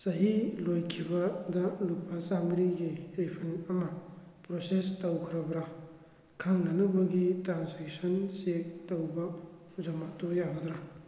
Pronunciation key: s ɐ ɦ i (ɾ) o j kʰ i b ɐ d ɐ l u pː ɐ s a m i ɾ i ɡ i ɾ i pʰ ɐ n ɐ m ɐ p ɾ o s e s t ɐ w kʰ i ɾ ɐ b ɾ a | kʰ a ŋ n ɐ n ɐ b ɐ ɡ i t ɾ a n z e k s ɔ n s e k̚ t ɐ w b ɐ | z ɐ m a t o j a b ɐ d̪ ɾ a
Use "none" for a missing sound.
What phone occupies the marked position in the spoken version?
l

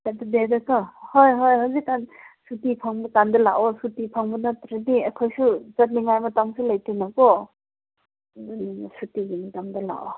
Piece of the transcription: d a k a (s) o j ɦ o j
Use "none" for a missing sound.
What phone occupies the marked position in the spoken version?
h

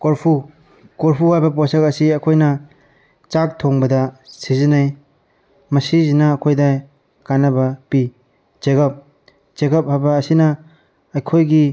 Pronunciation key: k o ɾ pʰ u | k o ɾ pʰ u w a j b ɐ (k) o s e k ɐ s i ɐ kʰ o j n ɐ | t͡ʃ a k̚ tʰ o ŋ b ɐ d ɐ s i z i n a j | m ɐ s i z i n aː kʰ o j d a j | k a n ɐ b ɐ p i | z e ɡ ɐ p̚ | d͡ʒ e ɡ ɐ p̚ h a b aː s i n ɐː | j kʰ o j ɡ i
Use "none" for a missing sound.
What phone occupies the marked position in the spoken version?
p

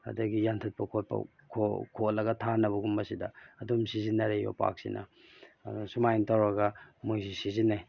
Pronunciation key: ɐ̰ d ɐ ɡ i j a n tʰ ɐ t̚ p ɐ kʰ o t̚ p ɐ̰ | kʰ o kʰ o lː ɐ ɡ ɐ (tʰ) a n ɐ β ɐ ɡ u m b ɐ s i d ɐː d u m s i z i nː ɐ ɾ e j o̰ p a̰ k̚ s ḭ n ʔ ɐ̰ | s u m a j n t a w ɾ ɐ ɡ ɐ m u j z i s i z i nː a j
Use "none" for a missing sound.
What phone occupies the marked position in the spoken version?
tʰ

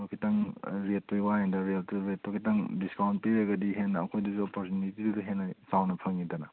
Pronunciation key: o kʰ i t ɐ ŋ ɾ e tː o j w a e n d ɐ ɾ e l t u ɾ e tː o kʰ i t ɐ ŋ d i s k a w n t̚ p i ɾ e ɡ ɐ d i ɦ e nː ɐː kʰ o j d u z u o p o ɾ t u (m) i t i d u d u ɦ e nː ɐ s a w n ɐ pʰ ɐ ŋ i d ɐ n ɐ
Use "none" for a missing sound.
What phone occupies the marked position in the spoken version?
n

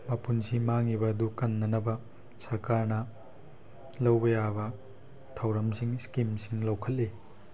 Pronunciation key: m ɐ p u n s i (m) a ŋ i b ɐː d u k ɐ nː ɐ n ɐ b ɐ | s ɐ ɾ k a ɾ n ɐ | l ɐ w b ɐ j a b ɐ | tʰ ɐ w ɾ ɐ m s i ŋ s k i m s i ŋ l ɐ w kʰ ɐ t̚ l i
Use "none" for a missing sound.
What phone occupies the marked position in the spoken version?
m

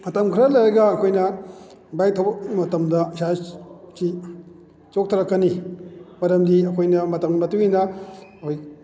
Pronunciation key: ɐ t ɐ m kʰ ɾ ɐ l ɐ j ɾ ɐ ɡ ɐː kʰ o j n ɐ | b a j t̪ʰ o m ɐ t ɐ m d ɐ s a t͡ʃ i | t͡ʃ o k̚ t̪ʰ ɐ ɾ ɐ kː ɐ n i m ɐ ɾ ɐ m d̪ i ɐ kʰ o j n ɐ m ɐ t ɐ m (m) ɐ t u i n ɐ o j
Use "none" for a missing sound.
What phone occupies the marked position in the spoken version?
m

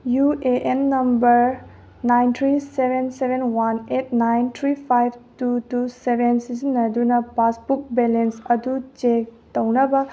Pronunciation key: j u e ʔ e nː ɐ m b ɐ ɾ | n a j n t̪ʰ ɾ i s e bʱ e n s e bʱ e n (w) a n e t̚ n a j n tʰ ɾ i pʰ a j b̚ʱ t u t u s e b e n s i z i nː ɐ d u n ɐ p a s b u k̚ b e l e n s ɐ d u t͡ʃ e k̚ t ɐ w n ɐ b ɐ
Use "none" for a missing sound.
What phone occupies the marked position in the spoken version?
w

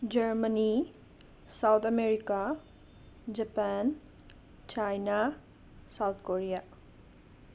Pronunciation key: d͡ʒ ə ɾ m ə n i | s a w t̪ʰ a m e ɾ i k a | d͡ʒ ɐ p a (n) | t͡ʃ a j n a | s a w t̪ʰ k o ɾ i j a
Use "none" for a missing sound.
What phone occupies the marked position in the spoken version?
n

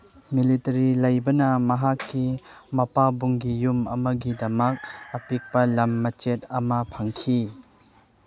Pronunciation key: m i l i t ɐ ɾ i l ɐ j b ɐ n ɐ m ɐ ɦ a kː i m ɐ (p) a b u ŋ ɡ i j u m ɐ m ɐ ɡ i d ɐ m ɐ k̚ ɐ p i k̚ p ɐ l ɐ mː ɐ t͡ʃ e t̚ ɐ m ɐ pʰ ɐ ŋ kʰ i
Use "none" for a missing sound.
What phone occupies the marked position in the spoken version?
p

